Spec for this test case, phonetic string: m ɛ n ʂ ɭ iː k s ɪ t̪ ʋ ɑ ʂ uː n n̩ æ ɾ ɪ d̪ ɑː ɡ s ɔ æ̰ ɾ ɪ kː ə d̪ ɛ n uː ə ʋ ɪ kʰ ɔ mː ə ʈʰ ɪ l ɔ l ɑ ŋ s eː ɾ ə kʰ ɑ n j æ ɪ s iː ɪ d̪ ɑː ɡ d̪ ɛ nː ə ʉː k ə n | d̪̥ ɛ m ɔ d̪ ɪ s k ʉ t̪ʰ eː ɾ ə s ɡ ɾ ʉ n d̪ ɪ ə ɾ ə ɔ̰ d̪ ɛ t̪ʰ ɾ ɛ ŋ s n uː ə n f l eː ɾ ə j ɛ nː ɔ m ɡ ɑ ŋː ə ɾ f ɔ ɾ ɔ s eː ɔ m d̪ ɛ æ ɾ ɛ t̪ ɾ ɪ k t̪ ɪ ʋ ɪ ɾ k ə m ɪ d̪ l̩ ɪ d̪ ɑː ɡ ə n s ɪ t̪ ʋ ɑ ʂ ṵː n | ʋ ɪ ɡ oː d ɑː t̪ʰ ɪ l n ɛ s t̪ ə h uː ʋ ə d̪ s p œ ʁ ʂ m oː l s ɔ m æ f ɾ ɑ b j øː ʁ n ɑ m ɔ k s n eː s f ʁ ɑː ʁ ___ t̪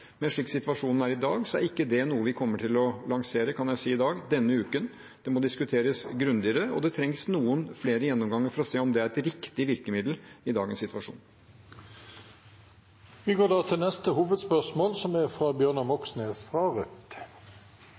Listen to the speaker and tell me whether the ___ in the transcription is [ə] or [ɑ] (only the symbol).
ə